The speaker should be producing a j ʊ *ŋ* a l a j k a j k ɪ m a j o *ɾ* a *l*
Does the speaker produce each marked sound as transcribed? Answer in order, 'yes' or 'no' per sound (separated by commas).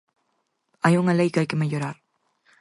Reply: yes, yes, no